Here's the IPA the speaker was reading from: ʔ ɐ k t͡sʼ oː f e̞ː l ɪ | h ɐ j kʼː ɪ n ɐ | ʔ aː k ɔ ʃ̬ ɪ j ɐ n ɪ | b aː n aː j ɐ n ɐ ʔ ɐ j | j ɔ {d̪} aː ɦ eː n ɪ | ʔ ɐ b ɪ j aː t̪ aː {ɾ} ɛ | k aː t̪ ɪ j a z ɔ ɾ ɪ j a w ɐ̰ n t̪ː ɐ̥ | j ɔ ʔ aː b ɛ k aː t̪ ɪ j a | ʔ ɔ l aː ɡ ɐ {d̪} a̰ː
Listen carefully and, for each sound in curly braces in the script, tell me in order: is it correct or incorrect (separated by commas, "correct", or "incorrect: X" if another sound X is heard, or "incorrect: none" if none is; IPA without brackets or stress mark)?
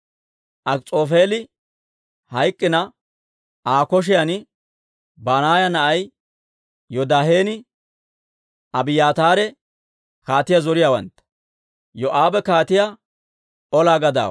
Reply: correct, correct, correct